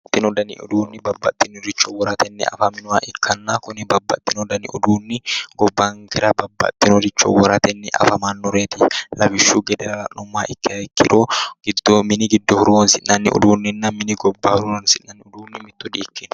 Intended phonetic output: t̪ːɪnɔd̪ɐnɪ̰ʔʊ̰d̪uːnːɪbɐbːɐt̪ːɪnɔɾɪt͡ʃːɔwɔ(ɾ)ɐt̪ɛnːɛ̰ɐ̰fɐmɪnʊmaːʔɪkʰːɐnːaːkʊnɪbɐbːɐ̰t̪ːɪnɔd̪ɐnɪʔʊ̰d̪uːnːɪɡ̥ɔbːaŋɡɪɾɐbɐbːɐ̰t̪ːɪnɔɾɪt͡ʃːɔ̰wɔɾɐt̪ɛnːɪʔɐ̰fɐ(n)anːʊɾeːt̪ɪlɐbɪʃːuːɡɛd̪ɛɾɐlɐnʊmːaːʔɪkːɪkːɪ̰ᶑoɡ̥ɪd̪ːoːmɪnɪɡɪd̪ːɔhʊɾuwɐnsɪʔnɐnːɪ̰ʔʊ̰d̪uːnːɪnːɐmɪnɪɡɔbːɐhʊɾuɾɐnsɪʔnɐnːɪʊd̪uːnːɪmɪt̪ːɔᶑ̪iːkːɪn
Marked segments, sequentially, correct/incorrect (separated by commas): correct, incorrect